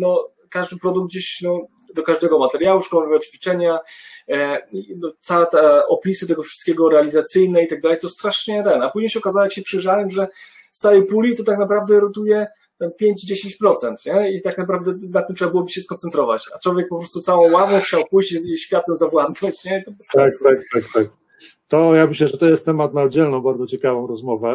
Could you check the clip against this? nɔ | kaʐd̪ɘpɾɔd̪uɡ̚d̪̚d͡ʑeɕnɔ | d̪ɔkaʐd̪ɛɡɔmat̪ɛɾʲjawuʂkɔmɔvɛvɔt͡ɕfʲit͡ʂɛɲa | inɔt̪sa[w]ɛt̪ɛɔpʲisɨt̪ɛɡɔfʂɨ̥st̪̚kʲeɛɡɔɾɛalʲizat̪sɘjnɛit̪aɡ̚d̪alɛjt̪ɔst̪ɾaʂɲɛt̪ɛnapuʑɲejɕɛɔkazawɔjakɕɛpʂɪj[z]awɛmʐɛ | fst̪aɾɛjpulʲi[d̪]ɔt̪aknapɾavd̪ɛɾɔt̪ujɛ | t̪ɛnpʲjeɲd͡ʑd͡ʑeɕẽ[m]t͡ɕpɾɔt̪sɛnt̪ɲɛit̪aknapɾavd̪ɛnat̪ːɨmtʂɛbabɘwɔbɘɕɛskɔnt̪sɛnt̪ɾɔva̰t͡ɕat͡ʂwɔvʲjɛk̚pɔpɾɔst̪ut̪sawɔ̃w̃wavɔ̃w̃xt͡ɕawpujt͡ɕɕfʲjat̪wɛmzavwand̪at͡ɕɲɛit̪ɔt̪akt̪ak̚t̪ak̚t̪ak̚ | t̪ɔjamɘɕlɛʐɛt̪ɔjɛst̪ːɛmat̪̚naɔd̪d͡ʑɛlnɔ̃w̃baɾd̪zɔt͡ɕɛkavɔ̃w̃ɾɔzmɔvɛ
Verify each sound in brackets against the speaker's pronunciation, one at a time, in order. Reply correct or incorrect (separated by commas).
correct, incorrect, incorrect, incorrect